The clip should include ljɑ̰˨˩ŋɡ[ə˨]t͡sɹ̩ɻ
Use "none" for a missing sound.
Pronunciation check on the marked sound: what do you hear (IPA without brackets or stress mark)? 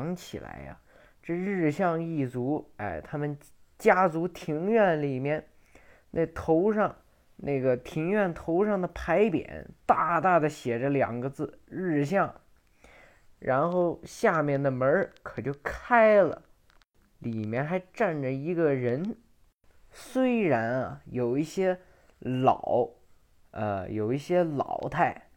ə˦